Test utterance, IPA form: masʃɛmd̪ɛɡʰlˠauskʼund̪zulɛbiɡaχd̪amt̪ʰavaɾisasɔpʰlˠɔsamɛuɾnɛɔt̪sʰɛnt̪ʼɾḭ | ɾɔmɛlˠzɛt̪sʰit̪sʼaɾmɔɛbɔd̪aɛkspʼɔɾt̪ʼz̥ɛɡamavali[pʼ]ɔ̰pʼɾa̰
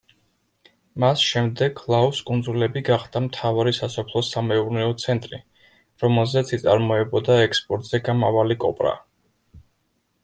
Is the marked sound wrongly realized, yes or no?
yes